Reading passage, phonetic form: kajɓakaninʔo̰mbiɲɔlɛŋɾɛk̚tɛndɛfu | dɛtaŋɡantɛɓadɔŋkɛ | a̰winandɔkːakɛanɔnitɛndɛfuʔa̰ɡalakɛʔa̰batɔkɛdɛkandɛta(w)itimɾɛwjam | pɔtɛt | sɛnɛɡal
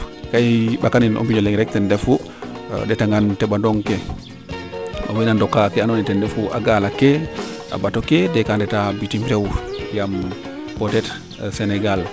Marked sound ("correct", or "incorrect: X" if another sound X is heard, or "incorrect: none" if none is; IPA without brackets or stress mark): incorrect: b